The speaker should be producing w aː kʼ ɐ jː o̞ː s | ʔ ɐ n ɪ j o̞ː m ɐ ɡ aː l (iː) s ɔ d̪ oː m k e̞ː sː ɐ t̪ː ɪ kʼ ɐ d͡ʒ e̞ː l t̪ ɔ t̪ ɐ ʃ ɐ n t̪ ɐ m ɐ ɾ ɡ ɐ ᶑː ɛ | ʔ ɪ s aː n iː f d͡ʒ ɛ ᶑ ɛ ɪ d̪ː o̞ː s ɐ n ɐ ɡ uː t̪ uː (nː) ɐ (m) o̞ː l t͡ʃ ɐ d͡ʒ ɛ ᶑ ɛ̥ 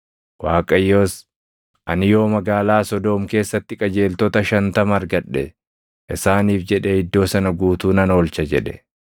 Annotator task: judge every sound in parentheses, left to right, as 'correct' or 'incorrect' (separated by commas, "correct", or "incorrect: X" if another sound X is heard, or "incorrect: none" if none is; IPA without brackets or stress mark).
incorrect: aː, incorrect: n, incorrect: n